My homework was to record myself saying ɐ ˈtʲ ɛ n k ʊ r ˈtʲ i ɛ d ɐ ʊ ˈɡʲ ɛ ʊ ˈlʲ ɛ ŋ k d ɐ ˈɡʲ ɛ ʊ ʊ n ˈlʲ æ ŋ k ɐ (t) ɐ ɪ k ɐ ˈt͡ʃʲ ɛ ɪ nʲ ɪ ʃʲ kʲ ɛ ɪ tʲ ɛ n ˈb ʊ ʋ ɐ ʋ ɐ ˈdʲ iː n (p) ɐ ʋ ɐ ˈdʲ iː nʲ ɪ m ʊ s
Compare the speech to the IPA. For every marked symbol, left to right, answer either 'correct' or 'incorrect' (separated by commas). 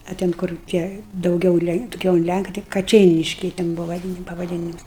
correct, correct